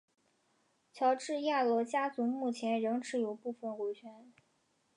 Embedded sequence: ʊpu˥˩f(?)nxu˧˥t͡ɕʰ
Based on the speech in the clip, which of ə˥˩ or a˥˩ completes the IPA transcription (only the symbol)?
ə˥˩